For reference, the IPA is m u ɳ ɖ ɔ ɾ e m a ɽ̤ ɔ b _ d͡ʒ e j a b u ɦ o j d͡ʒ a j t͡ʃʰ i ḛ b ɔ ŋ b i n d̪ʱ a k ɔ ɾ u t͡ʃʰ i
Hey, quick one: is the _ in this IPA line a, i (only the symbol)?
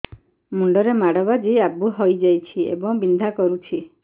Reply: a